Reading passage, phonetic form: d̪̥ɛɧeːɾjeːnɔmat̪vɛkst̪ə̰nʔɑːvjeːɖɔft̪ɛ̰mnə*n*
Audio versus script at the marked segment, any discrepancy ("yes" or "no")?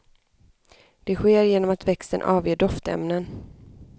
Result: no